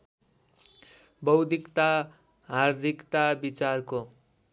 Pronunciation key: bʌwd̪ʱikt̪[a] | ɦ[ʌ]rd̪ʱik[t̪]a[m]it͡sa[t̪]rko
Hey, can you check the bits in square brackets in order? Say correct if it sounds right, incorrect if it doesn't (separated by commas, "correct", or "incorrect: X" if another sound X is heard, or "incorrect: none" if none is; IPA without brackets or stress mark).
correct, incorrect: a, correct, incorrect: b, incorrect: none